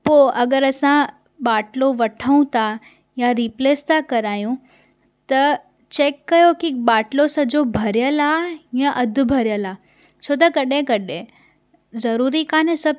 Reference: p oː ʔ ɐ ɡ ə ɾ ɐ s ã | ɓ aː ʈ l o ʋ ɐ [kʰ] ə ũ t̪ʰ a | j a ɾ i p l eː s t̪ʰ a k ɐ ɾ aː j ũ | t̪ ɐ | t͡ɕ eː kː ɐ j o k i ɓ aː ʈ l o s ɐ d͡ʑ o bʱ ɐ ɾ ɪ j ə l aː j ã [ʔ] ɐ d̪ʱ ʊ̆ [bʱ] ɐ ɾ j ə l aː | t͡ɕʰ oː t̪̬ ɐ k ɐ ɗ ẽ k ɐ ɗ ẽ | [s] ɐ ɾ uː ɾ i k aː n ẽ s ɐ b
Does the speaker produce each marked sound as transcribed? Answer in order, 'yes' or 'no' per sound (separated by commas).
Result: no, yes, yes, no